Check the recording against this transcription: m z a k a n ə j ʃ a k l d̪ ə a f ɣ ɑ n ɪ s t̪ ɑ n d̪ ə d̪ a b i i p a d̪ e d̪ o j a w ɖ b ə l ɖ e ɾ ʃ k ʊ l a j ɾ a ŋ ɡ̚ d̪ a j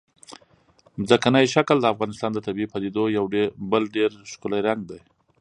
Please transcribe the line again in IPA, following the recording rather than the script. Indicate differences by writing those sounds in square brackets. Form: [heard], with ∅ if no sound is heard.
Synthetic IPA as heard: m z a k a n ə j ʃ a k l d̪ ə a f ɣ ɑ n ɪ s t̪ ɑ n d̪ ə [t̪] a b i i p a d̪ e d̪ o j a w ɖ b ə l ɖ e ɾ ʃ k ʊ l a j ɾ a ŋ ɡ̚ d̪ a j